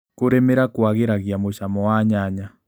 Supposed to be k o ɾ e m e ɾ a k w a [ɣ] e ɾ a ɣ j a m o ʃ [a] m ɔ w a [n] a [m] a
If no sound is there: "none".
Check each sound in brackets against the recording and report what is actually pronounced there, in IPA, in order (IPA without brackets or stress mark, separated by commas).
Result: ɣ, a, ɲ, ɲ